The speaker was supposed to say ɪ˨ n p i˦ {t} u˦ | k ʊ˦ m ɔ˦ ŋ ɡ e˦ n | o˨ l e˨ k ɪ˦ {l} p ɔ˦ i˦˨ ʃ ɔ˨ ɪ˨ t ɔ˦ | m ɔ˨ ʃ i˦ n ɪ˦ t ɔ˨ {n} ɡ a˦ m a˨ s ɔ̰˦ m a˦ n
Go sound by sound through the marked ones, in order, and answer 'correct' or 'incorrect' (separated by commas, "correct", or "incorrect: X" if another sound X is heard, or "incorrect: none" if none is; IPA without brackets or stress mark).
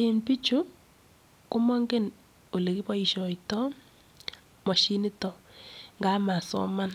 incorrect: t͡ʃ, incorrect: none, incorrect: ŋ